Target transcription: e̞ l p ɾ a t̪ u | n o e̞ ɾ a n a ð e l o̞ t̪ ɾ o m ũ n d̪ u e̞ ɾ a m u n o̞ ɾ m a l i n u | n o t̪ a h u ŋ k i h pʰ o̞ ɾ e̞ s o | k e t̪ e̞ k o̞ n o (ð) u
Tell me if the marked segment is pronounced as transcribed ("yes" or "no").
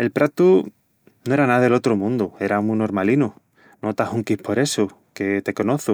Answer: no